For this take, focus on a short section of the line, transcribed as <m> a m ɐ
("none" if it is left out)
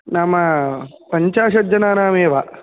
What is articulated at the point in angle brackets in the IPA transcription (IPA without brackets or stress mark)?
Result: n